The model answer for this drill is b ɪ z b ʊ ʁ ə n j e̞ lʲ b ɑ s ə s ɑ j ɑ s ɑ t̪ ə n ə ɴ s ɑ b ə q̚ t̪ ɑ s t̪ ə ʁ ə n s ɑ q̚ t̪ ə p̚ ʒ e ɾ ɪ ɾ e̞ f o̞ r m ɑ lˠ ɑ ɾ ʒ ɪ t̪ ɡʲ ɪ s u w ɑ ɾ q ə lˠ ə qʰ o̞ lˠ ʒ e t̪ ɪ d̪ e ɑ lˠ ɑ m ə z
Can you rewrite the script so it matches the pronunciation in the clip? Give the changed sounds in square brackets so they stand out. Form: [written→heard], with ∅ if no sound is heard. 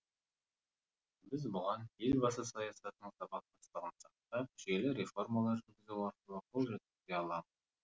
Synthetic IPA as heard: b ɪ z b ʊ ʁ [ə→ɑ] n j e̞ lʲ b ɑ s ə s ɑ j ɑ s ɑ t̪ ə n ə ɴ s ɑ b [ə→ɑ] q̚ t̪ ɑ s t̪ ə ʁ ə n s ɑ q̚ t̪ [ə→ɑ] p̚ ʒ e [ɾ→l] ɪ ɾ e̞ f o̞ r m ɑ lˠ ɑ ɾ ʒ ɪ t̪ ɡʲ ɪ [s→z] u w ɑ ɾ q ə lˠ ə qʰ o̞ lˠ ʒ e t̪ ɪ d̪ e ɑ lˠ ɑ m ə z